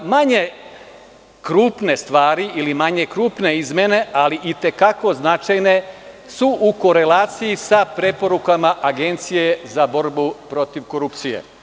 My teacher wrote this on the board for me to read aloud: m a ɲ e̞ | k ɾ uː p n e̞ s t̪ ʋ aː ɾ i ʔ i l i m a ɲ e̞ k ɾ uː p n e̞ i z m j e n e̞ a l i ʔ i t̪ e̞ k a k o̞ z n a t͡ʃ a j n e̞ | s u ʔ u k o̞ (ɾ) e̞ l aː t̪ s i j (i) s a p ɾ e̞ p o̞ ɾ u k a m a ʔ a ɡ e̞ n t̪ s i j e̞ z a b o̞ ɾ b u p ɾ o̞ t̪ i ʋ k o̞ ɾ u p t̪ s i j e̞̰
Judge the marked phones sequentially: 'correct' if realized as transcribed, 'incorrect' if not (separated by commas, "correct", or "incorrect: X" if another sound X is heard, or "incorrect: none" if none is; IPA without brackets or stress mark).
correct, correct